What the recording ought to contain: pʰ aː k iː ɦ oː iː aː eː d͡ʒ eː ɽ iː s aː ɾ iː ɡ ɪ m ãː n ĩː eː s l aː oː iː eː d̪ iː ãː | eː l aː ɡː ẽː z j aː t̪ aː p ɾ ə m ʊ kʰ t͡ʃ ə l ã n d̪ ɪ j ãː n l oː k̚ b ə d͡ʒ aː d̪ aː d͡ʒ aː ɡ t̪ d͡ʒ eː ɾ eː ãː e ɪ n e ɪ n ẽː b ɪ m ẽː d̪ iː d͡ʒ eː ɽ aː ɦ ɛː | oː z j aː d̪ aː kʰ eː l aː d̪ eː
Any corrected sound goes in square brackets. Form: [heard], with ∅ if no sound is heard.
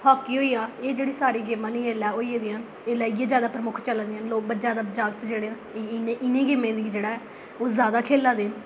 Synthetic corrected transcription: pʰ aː k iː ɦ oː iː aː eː d͡ʒ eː ɽ iː s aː ɾ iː ɡ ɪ m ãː n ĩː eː [∅] l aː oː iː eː d̪ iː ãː | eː l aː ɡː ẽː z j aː [d̪] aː p ɾ ə m ʊ kʰ t͡ʃ ə l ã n d̪ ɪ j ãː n l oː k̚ b ə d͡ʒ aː d̪ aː d͡ʒ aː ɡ t̪ d͡ʒ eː [ɽ] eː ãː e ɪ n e ɪ n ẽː [ɡ] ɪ m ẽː d̪ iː d͡ʒ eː ɽ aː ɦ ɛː | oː z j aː d̪ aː kʰ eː l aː d̪ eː